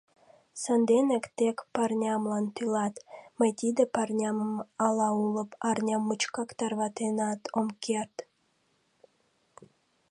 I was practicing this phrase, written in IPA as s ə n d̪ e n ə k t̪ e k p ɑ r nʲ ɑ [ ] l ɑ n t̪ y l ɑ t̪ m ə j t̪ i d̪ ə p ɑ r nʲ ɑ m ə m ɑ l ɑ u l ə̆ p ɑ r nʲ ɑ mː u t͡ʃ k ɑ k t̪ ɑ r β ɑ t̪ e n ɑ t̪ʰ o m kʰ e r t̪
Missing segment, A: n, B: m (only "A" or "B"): B